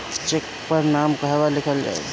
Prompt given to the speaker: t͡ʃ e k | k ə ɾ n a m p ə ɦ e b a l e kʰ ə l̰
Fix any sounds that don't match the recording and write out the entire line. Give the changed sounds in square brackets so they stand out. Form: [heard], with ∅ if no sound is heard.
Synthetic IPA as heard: t͡ʃ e k | [p] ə ɾ n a m [k] ə ɦ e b a l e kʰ ə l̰